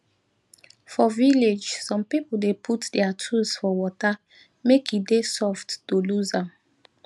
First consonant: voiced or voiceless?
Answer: voiceless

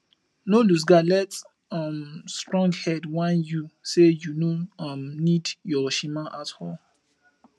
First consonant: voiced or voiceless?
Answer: voiced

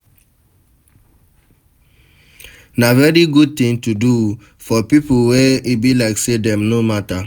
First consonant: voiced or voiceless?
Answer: voiced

